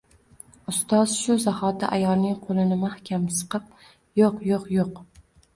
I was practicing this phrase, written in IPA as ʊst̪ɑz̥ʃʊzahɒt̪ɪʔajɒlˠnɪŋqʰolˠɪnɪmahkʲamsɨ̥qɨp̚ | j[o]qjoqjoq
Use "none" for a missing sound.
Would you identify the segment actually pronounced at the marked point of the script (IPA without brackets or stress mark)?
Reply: o